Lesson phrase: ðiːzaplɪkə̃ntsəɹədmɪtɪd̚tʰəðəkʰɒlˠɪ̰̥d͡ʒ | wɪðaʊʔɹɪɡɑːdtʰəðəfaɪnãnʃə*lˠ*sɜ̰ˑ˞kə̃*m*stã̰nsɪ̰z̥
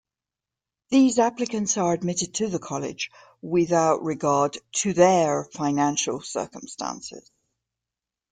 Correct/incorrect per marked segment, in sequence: correct, correct

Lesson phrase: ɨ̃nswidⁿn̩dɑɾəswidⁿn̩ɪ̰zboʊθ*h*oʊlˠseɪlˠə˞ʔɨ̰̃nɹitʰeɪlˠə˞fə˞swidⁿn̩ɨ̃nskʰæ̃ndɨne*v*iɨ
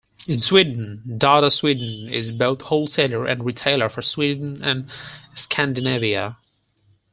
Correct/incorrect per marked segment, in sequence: correct, correct

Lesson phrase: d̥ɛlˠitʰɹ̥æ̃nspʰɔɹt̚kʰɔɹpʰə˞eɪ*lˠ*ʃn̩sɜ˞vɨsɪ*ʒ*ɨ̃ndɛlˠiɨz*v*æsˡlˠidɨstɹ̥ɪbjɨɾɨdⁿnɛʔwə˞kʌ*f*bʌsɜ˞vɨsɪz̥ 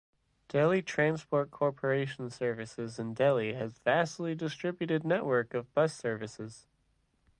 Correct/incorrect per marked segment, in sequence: incorrect, incorrect, correct, incorrect

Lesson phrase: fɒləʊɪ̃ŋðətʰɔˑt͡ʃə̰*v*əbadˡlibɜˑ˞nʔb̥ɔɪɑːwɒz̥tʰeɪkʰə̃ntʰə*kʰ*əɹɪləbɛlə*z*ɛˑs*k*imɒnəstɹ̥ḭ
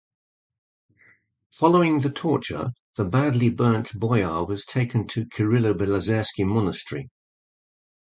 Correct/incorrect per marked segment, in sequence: incorrect, correct, correct, correct

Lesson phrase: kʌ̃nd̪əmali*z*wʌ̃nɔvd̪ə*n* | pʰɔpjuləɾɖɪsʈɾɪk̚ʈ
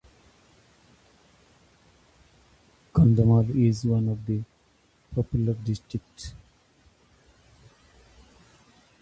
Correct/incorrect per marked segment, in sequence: correct, incorrect

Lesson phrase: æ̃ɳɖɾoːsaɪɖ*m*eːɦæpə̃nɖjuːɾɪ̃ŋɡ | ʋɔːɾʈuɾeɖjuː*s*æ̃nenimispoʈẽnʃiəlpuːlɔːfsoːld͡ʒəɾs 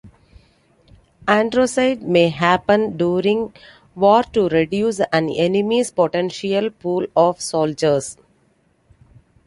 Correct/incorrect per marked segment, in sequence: correct, correct

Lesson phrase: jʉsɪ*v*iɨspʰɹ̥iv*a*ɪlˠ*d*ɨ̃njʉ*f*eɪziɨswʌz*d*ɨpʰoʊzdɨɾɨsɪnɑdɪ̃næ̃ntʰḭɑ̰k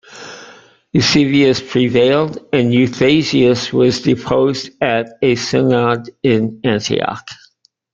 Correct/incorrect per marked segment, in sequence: correct, incorrect, correct, incorrect, correct

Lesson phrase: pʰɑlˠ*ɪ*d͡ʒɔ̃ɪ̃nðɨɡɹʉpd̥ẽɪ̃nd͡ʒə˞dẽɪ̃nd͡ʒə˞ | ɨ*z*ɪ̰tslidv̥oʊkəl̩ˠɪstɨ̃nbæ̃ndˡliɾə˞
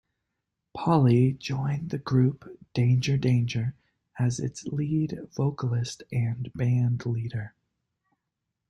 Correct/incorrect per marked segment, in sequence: incorrect, correct

